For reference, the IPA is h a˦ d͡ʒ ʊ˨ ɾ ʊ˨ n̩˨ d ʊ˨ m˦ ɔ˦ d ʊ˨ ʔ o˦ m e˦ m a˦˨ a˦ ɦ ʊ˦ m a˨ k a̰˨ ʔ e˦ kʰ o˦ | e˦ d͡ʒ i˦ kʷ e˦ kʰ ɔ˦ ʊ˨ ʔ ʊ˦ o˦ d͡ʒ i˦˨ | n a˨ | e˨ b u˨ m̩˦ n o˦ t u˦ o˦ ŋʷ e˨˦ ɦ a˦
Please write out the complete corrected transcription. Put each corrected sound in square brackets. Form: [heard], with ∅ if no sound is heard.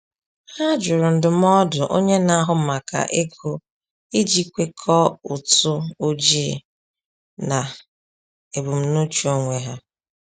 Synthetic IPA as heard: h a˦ d͡ʒ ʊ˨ ɾ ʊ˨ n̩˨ d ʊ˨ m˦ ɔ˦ d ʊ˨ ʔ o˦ [ɲ] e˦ [n] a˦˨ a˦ ɦ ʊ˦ m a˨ k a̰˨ ʔ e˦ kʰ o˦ | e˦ d͡ʒ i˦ kʷ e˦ kʰ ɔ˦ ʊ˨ [t] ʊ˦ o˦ d͡ʒ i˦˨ | n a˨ | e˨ b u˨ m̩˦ n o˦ [t͡ʃ] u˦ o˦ ŋʷ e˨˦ ɦ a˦